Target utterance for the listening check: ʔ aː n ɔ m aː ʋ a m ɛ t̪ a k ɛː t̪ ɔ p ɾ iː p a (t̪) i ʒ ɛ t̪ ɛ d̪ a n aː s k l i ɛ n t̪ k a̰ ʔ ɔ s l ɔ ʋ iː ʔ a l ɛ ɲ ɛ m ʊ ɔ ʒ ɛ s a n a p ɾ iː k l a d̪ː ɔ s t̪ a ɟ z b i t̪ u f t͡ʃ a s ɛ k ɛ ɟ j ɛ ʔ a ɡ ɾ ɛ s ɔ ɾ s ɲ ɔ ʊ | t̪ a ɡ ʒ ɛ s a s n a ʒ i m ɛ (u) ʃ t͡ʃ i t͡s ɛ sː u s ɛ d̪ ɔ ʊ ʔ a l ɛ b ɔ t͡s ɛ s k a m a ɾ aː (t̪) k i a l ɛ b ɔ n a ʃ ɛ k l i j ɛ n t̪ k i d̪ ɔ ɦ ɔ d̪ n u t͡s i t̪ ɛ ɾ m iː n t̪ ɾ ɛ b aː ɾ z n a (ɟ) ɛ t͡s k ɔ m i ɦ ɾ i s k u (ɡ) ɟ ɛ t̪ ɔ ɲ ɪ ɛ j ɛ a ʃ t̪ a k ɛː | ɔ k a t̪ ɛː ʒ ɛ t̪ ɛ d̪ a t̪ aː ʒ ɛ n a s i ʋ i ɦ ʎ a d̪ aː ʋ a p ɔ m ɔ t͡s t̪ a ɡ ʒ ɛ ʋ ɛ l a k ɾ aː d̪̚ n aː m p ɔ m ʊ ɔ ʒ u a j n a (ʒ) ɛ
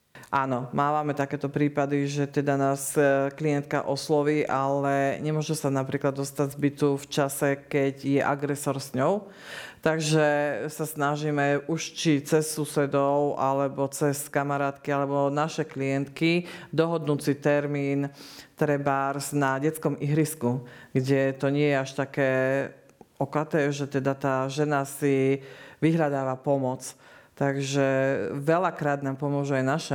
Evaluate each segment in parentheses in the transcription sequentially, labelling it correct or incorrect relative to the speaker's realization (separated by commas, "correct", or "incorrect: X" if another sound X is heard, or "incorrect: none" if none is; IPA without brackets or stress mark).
incorrect: d̪, correct, correct, correct, correct, incorrect: ʃ